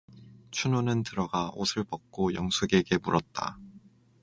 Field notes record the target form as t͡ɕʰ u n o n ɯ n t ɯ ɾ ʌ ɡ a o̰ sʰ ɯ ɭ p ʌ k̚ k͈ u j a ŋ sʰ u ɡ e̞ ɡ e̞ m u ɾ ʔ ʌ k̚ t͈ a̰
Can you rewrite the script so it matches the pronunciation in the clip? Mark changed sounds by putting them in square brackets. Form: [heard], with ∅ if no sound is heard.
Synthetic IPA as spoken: t͡ɕʰ u n o n ɯ n t ɯ ɾ ʌ ɡ a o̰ sʰ ɯ ɭ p ʌ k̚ k͈ [o] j [ʌ] ŋ sʰ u ɡ e̞ ɡ e̞ m u ɾ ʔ ʌ [t̚] t͈ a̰